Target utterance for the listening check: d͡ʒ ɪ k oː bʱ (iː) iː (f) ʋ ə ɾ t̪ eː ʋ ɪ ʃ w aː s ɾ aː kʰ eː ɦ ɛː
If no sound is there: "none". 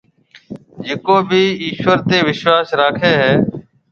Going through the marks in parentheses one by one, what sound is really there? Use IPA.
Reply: iː, ʃ

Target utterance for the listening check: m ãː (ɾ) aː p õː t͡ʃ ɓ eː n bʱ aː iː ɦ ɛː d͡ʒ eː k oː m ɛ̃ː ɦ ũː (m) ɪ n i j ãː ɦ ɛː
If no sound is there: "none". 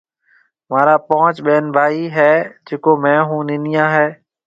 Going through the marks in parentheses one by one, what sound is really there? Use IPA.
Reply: ɾ, n

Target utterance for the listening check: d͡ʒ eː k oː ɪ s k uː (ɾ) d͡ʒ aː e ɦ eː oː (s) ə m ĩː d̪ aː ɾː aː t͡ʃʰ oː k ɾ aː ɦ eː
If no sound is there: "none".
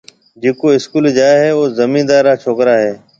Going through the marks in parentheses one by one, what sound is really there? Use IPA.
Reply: l, z

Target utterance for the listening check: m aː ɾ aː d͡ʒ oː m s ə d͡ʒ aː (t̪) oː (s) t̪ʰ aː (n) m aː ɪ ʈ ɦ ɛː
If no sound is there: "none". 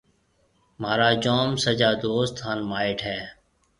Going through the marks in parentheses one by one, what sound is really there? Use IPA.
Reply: d̪, s, n

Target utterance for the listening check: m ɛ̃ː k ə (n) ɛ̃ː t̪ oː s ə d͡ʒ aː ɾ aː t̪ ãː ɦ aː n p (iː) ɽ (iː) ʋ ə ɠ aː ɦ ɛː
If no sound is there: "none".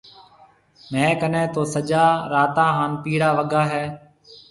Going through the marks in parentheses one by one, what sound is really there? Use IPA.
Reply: n, iː, aː

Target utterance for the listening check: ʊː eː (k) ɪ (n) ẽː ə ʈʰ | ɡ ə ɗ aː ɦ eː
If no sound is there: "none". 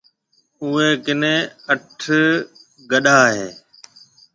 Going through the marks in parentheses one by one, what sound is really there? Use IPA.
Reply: k, n

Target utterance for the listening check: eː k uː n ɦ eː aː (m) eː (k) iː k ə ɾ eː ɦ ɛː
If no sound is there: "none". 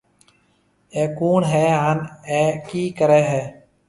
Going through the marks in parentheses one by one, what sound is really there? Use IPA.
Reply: n, k

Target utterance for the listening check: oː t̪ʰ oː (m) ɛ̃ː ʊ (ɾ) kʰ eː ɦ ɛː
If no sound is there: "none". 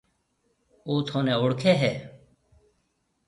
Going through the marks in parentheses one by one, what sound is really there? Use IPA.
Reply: n, ɽ

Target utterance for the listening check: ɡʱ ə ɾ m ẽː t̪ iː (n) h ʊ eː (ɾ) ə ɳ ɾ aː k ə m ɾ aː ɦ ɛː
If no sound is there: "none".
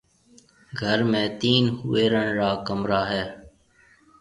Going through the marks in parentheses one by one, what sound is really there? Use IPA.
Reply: n, ɾ

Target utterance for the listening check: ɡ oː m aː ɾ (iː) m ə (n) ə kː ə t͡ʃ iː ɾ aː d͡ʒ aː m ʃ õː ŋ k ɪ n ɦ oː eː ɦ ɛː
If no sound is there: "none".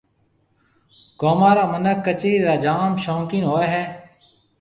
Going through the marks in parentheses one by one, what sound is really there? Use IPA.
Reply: aː, n

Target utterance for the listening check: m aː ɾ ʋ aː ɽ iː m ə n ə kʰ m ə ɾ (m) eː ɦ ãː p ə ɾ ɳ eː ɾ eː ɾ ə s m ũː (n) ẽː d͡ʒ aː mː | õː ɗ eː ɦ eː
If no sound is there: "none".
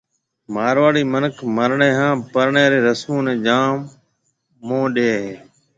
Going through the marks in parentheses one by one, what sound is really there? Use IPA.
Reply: ɳ, n

